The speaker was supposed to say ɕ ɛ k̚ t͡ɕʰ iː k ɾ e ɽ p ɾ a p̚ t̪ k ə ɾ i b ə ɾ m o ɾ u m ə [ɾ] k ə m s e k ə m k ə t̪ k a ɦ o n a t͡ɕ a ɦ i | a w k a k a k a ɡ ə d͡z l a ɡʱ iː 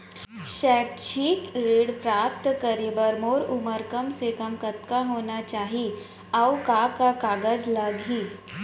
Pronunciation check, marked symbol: correct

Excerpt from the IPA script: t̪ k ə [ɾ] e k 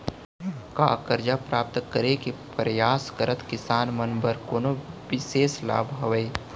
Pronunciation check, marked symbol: correct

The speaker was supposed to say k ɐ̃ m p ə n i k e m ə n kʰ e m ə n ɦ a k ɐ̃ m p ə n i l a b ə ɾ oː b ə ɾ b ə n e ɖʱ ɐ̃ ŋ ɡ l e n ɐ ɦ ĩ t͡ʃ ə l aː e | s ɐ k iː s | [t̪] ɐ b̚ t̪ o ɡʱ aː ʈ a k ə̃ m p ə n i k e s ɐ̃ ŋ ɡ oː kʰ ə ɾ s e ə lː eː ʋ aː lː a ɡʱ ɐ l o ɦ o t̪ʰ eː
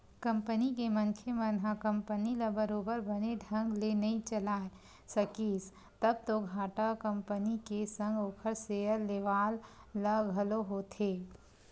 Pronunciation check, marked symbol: correct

